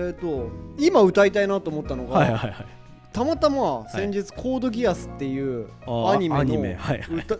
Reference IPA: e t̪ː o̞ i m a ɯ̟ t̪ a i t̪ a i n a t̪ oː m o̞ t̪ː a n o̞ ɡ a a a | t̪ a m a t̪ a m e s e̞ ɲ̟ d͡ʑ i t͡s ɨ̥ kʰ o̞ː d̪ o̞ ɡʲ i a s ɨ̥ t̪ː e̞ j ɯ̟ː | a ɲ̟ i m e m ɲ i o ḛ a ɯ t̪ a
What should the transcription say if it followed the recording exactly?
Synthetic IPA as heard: e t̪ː o̞ i m a ɯ̟ t̪ a i t̪ a i n a t̪ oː m o̞ t̪ː a n o̞ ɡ a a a | t̪ a m a t̪ a m a s ẽ̞ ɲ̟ d͡ʑ i t͡s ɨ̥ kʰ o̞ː d̪ o̞ ɡʲ i a s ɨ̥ t̪ː e̞ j ɯ̟ː | a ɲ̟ i m e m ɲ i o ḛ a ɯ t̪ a